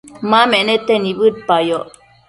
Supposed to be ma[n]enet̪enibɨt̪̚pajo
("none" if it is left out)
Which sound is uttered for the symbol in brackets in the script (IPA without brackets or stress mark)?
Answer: m